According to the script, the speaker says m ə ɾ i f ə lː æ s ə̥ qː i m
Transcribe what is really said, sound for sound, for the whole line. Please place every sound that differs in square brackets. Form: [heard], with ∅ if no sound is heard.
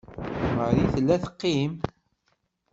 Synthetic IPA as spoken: m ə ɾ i [θ] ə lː æ [θ] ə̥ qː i m